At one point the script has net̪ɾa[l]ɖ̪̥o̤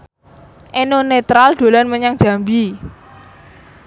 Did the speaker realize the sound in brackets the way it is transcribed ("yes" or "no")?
yes